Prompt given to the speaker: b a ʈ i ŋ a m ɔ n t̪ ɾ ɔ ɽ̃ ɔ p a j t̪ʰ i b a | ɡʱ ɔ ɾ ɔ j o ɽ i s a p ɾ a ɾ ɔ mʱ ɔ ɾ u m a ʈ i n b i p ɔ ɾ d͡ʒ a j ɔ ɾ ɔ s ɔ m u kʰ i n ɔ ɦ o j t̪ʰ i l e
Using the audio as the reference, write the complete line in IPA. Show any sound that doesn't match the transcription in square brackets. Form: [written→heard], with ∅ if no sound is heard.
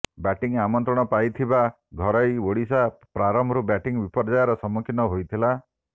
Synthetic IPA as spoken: b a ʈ i ŋ a m ɔ n t̪ ɾ ɔ ɽ̃ ɔ p a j t̪ʰ i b a | ɡʱ ɔ ɾ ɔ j o ɽ i s a p ɾ a ɾ ɔ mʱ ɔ ɾ u [m→b] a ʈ i [n→ŋ] b i p ɔ ɾ d͡ʒ a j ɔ ɾ ɔ s ɔ m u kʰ i n ɔ ɦ o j t̪ʰ i l [e→a]